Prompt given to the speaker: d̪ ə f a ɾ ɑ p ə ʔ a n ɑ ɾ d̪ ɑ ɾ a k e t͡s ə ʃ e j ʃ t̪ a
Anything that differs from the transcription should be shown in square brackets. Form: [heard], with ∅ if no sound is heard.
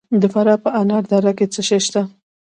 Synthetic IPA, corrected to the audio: d̪ ə f a ɾ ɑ p ə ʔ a n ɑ ɾ d̪ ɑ ɾ a k e t͡s ə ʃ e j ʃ t̪ a